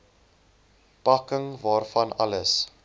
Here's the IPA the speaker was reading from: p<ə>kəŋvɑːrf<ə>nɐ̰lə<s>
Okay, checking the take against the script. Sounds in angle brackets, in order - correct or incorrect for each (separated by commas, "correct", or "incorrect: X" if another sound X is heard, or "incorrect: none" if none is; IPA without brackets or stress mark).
incorrect: ɐ, incorrect: ɐ, correct